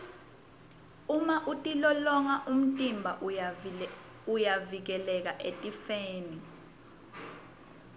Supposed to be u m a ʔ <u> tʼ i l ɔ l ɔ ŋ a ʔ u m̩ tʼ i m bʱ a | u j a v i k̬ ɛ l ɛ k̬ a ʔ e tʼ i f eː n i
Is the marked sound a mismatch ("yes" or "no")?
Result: no